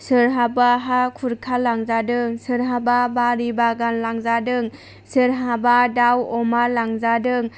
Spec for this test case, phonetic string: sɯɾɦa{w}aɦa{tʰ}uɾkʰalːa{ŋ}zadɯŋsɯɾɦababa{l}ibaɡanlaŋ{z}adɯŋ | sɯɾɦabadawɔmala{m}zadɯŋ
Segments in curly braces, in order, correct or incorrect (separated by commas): incorrect, incorrect, correct, incorrect, correct, incorrect